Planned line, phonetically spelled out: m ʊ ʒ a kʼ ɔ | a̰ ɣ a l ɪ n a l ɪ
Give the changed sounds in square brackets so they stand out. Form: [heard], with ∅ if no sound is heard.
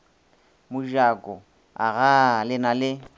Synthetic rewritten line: m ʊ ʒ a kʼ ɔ | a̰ ɣ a l ɪ n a l ɪ